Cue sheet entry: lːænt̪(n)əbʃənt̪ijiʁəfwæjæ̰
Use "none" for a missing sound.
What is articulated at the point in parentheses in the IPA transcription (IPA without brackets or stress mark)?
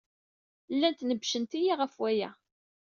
n